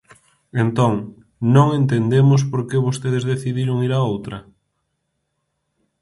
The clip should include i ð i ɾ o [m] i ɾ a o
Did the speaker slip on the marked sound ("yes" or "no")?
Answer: yes